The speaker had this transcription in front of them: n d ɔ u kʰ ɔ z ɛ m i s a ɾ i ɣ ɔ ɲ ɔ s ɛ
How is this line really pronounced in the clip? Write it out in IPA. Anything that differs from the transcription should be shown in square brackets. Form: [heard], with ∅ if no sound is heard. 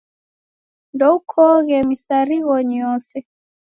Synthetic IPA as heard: n d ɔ u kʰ ɔ [ɣ] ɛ m i s a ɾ i ɣ ɔ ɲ ɔ s ɛ